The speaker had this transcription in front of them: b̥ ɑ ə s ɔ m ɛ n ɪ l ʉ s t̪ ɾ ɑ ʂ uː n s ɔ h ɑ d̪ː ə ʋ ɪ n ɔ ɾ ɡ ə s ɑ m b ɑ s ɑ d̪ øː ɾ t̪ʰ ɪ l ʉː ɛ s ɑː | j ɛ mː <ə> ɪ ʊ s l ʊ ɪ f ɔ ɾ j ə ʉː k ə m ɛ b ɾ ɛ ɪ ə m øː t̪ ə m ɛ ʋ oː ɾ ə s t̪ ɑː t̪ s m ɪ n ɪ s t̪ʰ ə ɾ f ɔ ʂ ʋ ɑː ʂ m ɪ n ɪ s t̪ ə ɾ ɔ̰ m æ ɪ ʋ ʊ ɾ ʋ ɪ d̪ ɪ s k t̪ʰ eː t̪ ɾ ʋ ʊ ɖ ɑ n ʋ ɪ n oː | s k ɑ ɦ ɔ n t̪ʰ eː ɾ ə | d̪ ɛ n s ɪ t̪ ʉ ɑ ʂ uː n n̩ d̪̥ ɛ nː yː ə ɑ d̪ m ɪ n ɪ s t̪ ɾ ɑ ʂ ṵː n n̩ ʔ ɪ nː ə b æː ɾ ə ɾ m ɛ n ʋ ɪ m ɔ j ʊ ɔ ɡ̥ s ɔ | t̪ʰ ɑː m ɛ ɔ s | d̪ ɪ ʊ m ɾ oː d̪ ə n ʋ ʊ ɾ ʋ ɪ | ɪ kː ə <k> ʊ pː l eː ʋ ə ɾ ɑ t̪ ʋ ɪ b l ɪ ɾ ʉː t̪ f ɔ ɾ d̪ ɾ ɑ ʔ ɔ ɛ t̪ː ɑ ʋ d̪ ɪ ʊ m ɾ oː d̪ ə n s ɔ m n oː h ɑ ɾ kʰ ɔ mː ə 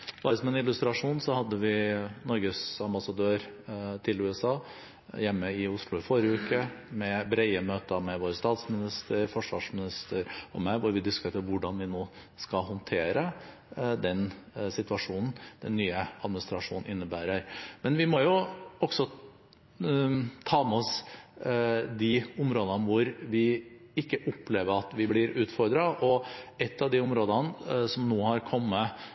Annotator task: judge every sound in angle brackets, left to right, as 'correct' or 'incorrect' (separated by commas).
correct, incorrect